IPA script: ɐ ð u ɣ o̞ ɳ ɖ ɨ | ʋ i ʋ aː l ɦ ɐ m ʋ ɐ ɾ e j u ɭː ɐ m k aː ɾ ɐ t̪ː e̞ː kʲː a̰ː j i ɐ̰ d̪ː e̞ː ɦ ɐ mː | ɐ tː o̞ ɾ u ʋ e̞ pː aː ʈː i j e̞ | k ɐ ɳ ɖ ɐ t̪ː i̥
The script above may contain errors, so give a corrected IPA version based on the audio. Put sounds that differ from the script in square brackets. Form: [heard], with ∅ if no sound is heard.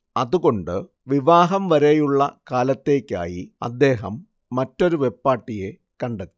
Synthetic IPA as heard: ɐ ð u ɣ o̞ ɳ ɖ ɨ | ʋ i ʋ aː [∅] ɦ ɐ m ʋ ɐ ɾ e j u ɭː ɐ [∅] k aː [l] ɐ t̪ː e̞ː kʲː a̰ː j i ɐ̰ d̪ː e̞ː ɦ ɐ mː | ɐ tː o̞ ɾ u ʋ e̞ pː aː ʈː i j e̞ | k ɐ ɳ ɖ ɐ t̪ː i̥